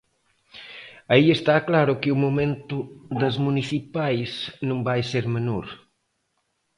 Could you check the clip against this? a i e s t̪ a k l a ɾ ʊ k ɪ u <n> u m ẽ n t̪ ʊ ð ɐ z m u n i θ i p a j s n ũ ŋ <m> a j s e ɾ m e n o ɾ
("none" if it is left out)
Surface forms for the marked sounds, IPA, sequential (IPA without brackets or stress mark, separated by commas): m, b